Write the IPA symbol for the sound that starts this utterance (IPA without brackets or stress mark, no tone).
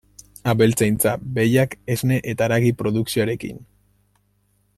a